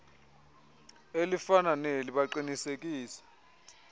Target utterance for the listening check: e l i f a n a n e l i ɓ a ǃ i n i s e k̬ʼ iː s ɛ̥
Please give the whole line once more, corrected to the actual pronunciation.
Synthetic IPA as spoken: e l i f a n a n e l i ɓ a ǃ i n i s e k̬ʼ iː s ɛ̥